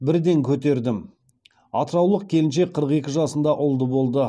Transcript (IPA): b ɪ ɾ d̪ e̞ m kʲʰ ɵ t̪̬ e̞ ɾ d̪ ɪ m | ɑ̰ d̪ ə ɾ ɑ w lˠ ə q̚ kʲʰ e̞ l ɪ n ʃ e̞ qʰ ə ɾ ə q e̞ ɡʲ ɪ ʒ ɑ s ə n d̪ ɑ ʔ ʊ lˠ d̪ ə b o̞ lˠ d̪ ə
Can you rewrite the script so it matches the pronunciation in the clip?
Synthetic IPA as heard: b ɪ ɾ d̪ e̞ ŋ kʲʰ ɵ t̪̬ e̞ ɾ d̪ ɪ m | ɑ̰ t̪ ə ɾ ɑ w lˠ ə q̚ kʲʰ e̞ l ɪ n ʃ e̞ qʰ ə ɾ ə q e̞ kʲ ɪ ʒ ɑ s ə n d̪ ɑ ʔ ʊ lˠ d̪ ə b o̞ lˠ d̪ ə